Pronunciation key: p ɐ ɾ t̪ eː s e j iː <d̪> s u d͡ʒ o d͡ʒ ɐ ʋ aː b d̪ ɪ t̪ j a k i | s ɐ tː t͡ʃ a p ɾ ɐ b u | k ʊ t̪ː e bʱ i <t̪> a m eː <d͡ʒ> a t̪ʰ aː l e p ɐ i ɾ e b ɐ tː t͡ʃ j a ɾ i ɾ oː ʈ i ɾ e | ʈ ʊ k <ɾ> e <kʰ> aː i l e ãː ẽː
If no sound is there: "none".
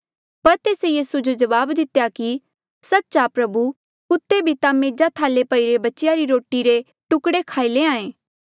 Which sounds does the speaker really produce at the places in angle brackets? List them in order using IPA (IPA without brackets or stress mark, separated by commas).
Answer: none, t̪, d͡ʒ, ɽ, kʰ